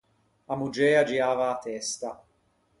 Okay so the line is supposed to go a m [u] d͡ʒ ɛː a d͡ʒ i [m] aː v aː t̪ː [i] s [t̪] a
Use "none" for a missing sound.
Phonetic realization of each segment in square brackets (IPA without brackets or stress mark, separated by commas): u, none, ɛ, t̪